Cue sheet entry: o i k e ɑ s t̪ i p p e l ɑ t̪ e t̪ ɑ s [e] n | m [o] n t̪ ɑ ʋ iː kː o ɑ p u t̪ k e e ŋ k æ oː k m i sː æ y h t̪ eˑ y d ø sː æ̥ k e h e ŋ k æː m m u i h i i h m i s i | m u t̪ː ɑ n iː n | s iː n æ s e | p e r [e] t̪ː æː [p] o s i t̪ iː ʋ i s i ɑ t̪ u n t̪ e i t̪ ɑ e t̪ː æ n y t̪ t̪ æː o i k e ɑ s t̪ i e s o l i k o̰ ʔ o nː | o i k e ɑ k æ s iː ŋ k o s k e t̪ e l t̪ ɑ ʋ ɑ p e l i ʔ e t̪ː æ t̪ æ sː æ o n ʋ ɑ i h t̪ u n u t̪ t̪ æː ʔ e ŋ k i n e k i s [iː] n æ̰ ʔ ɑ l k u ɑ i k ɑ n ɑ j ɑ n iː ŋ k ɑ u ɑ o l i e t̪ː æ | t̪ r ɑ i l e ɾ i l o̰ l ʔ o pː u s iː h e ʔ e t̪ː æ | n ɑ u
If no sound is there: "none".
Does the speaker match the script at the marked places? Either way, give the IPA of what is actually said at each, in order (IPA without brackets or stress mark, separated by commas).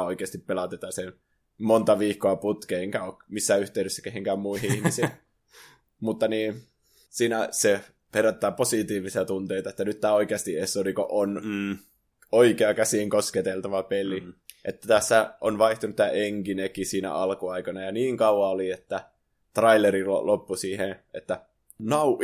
e, o, æ, p, iː